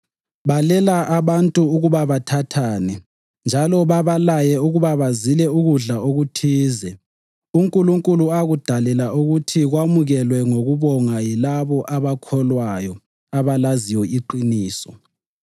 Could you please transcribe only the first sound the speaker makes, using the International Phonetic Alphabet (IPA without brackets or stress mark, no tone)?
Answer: β